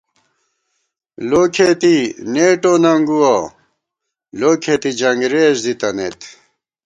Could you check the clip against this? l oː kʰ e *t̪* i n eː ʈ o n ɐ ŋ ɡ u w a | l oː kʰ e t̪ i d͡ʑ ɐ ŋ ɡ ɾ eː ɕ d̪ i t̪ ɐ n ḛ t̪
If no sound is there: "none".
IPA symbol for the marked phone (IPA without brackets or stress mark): t̪